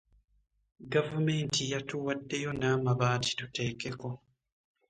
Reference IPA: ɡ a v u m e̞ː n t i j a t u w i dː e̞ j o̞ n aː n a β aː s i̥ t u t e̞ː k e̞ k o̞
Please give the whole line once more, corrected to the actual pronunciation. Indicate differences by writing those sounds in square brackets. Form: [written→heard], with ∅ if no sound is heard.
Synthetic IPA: ɡ a v u m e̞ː n t i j a t u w [i→a] dː e̞ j o̞ n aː [n→m] a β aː [s→t] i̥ t u t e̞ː k e̞ k o̞